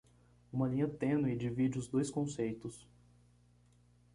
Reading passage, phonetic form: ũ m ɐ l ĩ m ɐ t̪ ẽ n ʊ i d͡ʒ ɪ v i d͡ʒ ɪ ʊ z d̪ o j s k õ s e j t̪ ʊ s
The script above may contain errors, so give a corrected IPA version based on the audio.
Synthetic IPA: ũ m ɐ l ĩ ɲ ɐ t̪ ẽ n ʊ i d͡ʒ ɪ v i d͡ʒ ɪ ʊ z d̪ o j s k õ s e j t̪ ʊ s